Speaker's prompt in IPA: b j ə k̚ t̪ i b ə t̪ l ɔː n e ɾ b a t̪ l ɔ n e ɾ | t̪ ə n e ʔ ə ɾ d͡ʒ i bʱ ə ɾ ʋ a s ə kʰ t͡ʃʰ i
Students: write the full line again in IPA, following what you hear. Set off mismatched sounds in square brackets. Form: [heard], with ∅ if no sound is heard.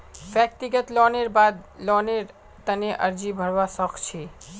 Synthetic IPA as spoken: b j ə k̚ t̪ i [ɡ] ə t̪ l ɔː n e ɾ b a [d̪] l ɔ n e ɾ | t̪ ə n e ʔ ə ɾ d͡ʒ i bʱ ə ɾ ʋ a s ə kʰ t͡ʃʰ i